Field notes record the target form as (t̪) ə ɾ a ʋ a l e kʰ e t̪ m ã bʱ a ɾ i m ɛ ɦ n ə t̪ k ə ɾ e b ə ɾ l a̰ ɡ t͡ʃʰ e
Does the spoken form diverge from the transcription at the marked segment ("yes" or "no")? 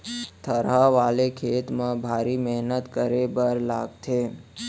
yes